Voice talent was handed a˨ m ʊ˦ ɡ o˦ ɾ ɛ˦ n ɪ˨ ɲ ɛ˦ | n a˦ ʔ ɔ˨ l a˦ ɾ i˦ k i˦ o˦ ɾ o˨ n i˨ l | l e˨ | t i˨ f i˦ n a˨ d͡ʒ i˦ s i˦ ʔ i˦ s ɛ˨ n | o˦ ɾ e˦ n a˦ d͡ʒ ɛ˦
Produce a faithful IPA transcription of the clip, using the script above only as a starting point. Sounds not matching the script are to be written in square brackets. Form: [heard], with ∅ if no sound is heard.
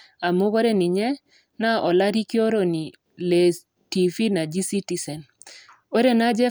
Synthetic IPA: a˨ m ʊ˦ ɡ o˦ ɾ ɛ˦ n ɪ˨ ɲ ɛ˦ | n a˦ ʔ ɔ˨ l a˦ ɾ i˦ k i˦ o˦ ɾ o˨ n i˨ [∅] | l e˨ | t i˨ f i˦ n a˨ d͡ʒ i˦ s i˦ [t] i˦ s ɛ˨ n | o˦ ɾ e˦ n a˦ d͡ʒ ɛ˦